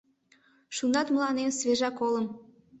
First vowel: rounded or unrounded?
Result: rounded